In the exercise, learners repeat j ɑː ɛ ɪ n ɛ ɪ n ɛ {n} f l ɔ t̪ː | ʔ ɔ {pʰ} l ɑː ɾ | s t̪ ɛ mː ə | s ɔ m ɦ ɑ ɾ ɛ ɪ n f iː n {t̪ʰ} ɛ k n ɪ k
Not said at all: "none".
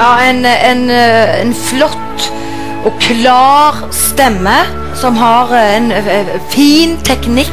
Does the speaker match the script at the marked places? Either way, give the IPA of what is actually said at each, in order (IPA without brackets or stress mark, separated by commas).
n, kʰ, t̪ʰ